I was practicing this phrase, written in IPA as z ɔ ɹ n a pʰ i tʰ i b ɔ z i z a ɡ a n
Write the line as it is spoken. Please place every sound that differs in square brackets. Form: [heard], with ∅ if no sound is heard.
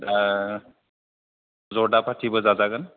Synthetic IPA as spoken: z ɔ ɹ [d] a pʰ [a] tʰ i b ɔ z [a] z a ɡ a n